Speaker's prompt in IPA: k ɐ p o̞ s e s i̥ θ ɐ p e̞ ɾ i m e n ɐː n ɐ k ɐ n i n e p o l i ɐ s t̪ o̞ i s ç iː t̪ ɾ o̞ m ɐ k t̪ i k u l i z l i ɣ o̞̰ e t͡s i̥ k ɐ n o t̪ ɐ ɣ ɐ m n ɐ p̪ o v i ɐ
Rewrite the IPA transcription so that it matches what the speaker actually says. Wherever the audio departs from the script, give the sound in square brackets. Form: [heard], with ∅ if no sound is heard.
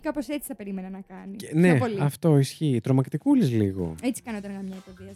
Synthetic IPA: k ɐ p o̞ s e [t͡s] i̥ θ ɐ p e̞ ɾ i m e n [ɐ] n ɐ k ɐ n i n e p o l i ɐ [f] t̪ o̞ i s ç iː t̪ ɾ o̞ m ɐ k t̪ i k u l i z l i ɣ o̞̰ e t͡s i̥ k ɐ n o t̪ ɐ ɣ ɐ m [ɲ] ɐ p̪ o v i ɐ